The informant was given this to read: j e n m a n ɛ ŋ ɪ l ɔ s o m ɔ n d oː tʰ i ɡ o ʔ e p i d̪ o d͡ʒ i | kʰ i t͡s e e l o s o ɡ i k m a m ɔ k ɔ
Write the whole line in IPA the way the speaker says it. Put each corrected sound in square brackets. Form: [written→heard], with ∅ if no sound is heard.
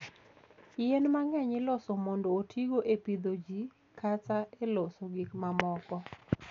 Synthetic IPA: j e n m a [n→ŋ] ɛ [ŋ→ɲ] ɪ l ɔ s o m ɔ n d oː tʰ i ɡ o ʔ e p i d̪ o d͡ʒ i | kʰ [i→a] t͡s [e→a] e l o s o ɡ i k m a m ɔ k ɔ